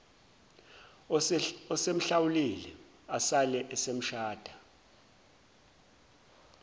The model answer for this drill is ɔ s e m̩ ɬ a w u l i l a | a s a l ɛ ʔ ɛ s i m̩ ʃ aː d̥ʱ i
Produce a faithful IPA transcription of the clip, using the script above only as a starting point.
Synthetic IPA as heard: ɔ s e m̩ ɬ a w u l i l ɛ | a s a l ɛ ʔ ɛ s e m̩ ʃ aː d̥ʱ a